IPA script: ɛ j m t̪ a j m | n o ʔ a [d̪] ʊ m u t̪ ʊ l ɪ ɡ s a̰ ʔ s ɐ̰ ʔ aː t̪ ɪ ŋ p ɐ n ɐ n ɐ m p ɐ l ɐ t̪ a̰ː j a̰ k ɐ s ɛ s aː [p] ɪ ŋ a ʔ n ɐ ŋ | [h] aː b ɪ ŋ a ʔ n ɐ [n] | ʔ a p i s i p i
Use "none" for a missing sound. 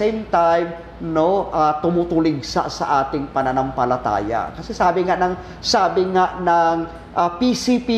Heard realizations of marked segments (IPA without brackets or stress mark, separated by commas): t̪, b, s, ŋ